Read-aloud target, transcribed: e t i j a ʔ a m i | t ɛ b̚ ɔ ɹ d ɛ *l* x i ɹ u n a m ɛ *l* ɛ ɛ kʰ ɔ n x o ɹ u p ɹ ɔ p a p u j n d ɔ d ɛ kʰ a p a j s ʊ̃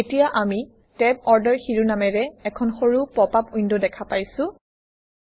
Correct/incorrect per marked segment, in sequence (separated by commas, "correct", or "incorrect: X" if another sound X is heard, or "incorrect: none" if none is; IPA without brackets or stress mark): incorrect: ɹ, incorrect: ɹ